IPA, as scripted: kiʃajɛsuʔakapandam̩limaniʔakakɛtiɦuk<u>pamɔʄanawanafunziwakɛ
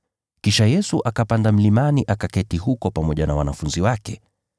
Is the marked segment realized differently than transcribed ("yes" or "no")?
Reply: yes